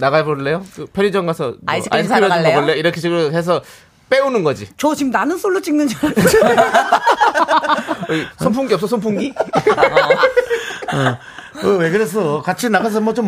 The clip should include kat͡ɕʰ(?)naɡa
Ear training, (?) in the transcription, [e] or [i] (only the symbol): i